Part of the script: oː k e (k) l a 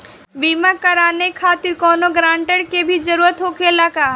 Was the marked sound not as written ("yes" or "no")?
yes